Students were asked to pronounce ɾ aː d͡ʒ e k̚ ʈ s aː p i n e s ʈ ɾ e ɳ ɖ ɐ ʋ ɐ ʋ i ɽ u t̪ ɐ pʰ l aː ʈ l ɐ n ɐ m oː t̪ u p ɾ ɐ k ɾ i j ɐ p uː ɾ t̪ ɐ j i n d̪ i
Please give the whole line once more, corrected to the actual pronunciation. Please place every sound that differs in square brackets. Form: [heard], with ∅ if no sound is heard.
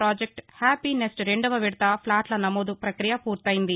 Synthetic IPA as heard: ɾ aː d͡ʒ e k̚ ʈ [h] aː p i n e s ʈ ɾ e ɳ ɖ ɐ ʋ ɐ ʋ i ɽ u t̪ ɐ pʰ l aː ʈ l ɐ n ɐ m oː [d̪] u p ɾ ɐ k ɾ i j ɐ p uː ɾ t̪ ɐ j i n d̪ i